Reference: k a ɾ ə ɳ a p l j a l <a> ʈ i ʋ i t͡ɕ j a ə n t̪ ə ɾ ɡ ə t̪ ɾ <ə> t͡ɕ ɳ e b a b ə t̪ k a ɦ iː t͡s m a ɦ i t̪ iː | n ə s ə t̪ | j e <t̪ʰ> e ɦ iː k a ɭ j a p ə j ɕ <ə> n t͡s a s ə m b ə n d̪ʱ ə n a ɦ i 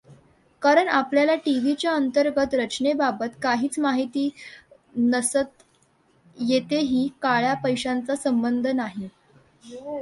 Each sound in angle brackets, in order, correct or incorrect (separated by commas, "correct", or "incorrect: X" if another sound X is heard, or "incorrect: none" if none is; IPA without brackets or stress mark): correct, correct, incorrect: t̪, incorrect: a